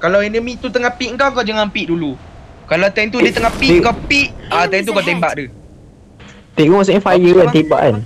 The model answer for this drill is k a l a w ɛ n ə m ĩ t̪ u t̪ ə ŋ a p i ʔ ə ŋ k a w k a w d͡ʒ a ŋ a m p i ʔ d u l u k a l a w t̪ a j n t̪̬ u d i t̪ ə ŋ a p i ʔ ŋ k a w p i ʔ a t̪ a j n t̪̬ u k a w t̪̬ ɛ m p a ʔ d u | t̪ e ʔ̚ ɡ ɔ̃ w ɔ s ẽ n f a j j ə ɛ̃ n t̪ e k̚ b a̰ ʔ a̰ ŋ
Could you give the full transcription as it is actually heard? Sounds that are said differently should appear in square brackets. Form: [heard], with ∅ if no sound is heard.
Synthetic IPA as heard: k a l a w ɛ n ə m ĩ t̪ u t̪ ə ŋ a p i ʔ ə ŋ k a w k a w d͡ʒ a ŋ a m p i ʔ d u l u k a l a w t̪ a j n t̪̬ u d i t̪ ə ŋ a p i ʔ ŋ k a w p i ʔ a t̪ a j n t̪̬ u k a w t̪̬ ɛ m [b] a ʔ d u | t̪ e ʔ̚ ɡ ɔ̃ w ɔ s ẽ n f a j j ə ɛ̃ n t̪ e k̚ b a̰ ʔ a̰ [n]